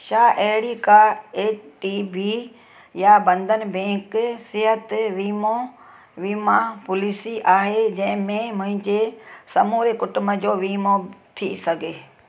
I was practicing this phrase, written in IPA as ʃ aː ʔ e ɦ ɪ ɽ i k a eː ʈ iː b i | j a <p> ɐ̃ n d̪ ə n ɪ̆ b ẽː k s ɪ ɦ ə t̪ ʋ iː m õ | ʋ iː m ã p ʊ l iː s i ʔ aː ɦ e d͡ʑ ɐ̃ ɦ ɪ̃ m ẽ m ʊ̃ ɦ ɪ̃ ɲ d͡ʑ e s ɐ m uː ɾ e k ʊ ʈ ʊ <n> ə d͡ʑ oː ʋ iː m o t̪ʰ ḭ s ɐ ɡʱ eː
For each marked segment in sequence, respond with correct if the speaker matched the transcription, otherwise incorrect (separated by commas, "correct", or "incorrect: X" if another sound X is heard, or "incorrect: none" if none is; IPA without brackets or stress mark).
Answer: incorrect: b, incorrect: m